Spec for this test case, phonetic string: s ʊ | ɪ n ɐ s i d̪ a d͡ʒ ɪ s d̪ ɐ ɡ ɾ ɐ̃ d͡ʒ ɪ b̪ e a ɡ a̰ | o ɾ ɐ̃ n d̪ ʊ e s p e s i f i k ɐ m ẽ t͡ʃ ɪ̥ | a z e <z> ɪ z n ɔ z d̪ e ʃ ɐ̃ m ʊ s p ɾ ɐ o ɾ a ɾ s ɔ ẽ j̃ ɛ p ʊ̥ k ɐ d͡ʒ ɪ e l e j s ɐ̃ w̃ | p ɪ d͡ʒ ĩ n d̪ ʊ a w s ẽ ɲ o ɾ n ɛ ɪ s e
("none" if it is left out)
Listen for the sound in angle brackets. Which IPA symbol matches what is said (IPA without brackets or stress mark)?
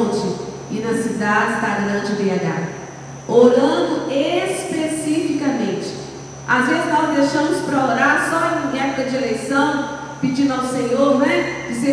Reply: z